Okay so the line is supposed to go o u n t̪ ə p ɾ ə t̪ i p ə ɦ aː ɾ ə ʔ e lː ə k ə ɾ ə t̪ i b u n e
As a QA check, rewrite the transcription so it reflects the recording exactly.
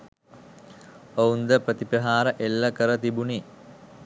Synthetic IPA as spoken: o u n d̪ ə p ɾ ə t̪ i p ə ɦ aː ɾ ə ʔ e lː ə k ə ɾ ə t̪ i b u n i

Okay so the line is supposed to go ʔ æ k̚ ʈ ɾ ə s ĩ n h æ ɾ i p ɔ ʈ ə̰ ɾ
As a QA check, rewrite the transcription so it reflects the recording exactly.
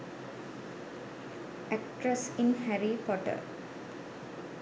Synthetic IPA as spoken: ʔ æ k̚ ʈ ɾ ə s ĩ n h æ ɾ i p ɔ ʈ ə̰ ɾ

